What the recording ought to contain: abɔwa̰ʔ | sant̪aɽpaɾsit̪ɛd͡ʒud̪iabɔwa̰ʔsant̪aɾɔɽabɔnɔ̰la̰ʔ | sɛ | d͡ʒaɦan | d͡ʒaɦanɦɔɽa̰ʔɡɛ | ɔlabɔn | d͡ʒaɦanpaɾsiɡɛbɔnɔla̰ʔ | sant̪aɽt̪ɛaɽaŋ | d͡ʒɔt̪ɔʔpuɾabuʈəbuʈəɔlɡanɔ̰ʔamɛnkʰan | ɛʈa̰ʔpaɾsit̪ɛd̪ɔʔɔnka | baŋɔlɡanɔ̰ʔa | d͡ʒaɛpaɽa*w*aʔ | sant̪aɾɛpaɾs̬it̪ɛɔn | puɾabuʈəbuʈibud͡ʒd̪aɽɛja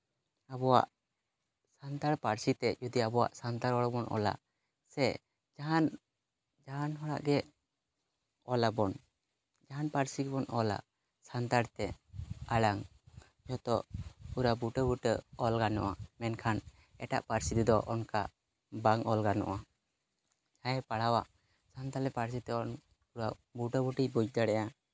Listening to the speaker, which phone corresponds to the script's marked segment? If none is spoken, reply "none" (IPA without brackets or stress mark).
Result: w